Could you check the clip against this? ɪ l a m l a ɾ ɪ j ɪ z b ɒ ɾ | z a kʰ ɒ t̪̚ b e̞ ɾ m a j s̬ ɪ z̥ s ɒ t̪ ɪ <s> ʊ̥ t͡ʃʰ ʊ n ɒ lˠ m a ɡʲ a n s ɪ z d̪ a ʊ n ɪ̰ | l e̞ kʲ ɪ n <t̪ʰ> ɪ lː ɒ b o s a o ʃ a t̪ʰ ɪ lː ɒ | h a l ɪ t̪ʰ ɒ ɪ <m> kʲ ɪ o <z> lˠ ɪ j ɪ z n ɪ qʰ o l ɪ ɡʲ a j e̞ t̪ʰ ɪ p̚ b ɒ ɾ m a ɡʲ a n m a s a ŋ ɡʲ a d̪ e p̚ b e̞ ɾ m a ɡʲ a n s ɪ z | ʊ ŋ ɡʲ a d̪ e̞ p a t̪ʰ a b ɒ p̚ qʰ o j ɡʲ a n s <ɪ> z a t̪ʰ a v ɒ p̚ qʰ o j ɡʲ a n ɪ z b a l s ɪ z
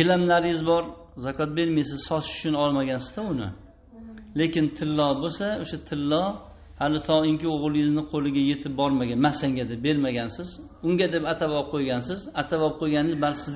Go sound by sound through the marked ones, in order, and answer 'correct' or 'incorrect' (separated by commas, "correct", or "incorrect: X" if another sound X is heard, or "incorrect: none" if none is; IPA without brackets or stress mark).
incorrect: ʃ, correct, incorrect: ŋ, incorrect: ʁ, correct